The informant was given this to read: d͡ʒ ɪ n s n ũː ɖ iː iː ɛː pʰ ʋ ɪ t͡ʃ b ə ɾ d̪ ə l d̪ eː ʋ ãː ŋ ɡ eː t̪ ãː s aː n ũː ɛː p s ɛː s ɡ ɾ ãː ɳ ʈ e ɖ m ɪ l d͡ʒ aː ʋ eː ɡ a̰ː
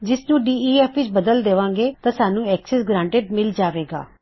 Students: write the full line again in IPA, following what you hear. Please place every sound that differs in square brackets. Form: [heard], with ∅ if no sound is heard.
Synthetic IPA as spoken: d͡ʒ ɪ [∅] s n ũː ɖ iː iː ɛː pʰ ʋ ɪ t͡ʃ b ə [∅] d̪ ə l d̪ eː ʋ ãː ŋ ɡ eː t̪ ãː s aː n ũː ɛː [k] s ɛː s ɡ ɾ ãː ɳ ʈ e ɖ m ɪ l d͡ʒ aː ʋ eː ɡ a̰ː